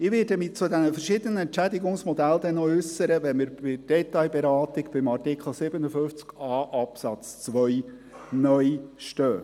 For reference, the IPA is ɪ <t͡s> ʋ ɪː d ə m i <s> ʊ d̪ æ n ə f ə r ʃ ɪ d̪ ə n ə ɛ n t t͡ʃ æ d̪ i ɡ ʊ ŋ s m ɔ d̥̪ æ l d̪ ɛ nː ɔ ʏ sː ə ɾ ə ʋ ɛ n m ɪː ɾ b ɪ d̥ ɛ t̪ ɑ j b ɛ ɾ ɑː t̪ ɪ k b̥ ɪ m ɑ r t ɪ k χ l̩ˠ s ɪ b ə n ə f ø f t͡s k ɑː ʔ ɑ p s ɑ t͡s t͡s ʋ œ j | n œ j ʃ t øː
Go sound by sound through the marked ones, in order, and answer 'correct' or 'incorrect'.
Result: incorrect: none, incorrect: t͡s

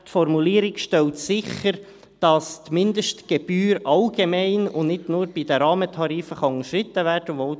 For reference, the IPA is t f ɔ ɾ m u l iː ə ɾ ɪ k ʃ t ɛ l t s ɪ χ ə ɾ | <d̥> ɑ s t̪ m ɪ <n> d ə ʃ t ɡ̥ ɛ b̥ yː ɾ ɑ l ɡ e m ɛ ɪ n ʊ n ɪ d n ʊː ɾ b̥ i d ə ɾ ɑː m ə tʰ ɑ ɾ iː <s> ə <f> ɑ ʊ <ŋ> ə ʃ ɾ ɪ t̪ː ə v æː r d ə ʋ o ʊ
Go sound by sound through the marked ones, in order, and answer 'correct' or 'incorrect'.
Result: correct, correct, incorrect: f, incorrect: χ, correct

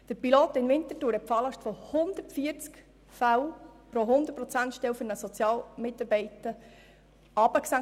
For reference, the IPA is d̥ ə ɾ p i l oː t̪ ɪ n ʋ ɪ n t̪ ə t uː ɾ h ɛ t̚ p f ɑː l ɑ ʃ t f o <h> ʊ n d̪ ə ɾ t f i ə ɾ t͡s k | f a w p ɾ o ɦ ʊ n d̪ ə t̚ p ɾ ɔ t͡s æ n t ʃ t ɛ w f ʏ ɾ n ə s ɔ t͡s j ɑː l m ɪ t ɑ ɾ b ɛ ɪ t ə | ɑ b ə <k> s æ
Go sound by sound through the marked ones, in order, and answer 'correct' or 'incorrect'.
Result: correct, correct

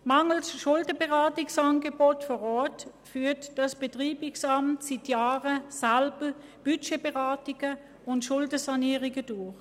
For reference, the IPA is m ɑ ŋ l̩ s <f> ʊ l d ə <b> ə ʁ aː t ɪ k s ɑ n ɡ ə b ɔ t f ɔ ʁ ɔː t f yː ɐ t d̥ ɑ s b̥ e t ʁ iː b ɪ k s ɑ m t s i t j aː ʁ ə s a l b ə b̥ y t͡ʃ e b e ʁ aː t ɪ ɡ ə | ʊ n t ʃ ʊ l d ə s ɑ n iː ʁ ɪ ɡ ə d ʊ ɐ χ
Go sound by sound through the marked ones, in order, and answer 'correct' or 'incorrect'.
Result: incorrect: ʃ, correct

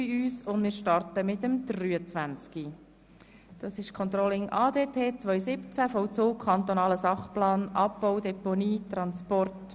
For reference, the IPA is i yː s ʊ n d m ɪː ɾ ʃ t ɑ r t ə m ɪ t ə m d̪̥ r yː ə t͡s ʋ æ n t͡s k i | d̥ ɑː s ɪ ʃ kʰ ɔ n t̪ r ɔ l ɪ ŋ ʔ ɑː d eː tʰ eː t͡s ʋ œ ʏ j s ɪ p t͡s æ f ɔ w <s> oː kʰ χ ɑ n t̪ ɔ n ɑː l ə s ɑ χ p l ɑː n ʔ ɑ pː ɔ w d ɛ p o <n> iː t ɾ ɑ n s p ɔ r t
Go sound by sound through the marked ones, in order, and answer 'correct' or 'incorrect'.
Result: incorrect: t͡s, correct

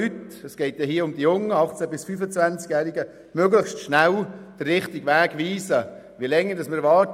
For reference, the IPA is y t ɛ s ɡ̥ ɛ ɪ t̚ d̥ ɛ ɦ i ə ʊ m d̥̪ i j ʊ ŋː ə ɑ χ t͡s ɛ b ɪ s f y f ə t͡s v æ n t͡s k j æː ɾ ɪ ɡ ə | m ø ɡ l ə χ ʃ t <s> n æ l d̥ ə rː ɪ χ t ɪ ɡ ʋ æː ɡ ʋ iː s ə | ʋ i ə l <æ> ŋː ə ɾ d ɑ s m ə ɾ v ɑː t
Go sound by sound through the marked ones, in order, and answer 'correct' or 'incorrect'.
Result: incorrect: ʃ, incorrect: ɛ

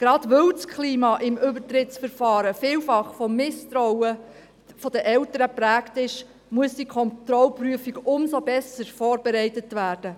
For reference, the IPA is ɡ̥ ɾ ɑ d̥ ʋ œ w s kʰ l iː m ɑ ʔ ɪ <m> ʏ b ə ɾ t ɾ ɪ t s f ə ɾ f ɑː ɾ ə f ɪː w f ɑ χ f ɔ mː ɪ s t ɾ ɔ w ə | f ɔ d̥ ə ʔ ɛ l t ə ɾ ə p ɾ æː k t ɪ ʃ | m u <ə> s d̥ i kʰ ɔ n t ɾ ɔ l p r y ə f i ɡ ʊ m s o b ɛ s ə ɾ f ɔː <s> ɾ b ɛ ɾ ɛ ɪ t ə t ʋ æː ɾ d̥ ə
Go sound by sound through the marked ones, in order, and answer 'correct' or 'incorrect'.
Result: correct, correct, incorrect: none

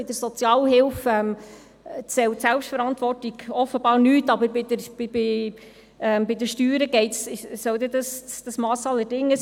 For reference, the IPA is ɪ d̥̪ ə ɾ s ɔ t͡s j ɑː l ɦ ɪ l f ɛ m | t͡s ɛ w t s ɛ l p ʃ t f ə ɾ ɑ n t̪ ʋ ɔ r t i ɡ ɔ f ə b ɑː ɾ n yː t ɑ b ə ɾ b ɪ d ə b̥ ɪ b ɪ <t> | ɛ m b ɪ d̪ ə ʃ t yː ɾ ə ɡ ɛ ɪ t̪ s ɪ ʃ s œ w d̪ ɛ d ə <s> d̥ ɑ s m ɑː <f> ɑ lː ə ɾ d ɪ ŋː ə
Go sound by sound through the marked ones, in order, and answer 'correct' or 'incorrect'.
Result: incorrect: none, correct, incorrect: s

